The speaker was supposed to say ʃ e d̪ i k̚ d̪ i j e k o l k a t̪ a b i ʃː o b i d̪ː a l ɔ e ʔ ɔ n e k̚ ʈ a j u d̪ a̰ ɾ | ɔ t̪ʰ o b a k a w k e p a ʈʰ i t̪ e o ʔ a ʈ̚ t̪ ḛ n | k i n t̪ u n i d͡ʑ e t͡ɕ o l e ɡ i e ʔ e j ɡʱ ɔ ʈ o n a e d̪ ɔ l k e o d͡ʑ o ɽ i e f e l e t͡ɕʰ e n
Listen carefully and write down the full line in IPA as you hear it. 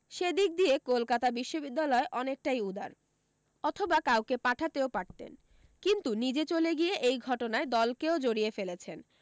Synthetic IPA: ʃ e d̪ i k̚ d̪ i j e k o l k a t̪ a b i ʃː o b i d̪ː a l ɔ e ʔ ɔ n e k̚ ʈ a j u d̪ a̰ ɾ | ɔ t̪ʰ o b a k a w k e p a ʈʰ a t̪ e o p a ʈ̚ t̪ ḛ n | k i n t̪ u n i d͡ʑ e t͡ɕ o l e ɡ i e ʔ e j ɡʱ ɔ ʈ o n a e d̪ ɔ l k e o d͡ʑ o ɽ i e f e l e t͡ɕʰ e n